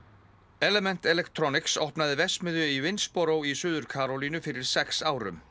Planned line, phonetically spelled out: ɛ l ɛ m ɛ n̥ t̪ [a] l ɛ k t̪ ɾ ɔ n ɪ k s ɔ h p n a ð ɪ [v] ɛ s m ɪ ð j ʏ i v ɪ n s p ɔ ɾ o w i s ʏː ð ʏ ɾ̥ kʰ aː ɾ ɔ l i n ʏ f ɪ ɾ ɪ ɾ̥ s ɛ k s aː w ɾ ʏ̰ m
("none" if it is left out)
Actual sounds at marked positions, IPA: ɛ, v

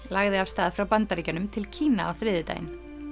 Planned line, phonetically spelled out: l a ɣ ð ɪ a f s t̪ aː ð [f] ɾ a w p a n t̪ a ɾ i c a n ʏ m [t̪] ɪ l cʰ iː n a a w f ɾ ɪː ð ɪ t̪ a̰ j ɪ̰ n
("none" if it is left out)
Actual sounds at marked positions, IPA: f, t̪ʰ

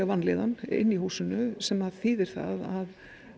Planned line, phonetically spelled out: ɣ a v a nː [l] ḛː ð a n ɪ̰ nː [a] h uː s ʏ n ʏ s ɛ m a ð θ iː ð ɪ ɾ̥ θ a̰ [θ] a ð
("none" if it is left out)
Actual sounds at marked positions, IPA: l, i, ð

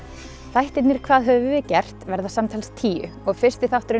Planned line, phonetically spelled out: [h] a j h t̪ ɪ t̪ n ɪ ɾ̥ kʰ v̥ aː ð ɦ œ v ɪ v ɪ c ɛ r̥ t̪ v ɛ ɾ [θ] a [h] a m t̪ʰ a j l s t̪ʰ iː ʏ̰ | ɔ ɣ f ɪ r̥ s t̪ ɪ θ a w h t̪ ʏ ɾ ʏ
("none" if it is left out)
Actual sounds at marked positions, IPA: θ, ð, s

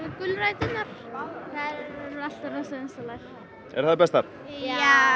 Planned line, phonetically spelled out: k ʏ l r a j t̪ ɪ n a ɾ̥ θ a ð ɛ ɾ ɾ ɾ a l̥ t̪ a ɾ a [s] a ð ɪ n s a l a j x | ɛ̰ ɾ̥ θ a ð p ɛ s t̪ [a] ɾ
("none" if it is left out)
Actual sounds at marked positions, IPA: s, a

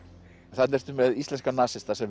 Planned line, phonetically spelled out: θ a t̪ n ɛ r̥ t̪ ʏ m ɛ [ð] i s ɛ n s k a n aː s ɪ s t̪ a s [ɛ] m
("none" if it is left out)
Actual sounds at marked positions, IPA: ð, ɛ

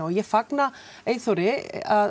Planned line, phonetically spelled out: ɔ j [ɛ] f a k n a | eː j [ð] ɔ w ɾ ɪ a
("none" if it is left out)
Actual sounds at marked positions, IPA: ɛ, θ

